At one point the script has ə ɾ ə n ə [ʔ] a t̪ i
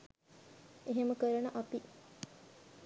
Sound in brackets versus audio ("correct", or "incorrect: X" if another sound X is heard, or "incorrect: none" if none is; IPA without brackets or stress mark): correct